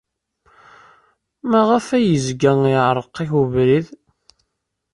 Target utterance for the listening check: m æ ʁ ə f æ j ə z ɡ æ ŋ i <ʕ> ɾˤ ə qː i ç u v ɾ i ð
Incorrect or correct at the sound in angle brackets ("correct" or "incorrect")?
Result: correct